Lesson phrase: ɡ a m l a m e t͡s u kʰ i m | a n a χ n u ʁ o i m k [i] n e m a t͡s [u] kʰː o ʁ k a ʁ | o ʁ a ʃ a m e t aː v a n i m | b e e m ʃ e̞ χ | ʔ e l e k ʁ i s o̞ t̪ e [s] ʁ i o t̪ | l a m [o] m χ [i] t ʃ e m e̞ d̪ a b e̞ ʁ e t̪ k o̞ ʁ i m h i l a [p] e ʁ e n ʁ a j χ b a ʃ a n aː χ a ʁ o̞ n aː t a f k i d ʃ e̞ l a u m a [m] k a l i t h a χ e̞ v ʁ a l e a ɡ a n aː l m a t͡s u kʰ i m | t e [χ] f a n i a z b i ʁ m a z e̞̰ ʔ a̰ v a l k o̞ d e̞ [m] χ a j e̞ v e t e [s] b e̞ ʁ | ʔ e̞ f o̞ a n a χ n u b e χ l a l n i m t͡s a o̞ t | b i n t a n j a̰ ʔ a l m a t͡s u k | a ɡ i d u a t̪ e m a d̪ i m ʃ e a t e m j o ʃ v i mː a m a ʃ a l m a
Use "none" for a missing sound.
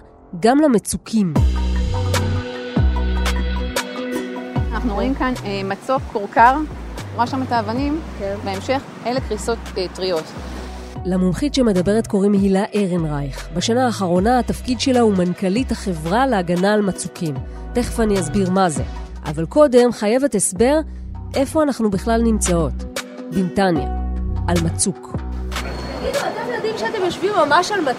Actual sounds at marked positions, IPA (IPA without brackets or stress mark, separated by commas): a, o, t, u, i, ʔ, n, χ, m, s